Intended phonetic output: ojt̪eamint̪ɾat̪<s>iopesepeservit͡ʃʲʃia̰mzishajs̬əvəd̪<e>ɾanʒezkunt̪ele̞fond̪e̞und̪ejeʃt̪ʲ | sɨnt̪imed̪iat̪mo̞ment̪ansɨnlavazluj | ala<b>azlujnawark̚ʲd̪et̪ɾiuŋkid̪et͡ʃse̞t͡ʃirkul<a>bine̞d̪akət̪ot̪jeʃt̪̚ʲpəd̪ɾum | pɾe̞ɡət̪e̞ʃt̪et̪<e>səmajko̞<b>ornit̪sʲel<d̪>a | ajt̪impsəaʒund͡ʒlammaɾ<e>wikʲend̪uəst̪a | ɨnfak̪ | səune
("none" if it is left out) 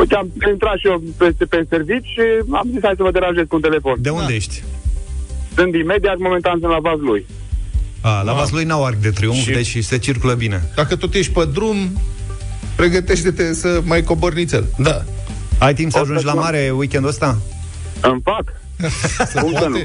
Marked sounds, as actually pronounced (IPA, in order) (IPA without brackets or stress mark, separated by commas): ʃ, e, v, ə, e, b, d̪, e